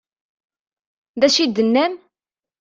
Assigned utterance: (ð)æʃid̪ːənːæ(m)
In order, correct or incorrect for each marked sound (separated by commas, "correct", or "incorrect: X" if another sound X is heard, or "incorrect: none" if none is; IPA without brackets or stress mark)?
correct, correct